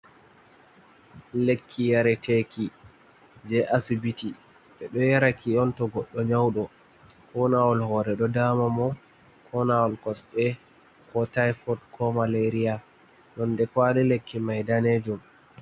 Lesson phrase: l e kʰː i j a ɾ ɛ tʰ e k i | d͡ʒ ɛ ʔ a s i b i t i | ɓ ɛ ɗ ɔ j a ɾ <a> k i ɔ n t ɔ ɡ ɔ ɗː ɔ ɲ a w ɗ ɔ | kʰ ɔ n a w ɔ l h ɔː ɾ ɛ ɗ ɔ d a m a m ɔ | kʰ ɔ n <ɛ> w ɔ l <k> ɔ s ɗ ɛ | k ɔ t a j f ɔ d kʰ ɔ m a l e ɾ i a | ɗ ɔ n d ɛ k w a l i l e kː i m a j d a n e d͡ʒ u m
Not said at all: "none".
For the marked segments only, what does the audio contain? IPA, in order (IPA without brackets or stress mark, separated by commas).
a, a, k